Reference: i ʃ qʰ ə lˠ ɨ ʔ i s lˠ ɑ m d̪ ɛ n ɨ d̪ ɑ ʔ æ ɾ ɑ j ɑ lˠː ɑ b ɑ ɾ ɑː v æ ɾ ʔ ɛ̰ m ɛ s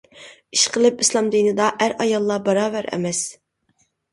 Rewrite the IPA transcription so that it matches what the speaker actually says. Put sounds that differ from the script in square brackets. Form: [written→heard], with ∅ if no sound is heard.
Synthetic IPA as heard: i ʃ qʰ ə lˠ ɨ [ʔ→p] i s lˠ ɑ m d̪ [ɛ→i] n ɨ d̪ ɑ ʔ æ ɾ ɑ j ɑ lˠː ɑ b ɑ ɾ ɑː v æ ɾ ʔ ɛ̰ m ɛ s